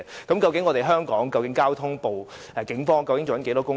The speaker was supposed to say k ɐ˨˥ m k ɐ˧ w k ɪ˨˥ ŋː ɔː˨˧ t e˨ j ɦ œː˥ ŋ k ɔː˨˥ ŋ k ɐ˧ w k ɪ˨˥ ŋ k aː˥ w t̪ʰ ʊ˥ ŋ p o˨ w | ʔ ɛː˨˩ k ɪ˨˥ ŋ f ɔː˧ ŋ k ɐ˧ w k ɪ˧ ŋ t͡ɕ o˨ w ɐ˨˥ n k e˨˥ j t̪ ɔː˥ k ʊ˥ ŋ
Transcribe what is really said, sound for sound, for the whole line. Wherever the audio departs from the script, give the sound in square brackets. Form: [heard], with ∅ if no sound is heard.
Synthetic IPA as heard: k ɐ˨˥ m k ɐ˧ w k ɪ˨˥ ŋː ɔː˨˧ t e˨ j ɦ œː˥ ŋ k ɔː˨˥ ŋ k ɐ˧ w k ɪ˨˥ ŋ k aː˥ w t̪ʰ ʊ˥ ŋ p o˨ w | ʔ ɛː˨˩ k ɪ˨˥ ŋ f [ɔː˥] ŋ k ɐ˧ w k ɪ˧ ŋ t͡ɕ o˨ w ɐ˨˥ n k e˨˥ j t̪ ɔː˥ k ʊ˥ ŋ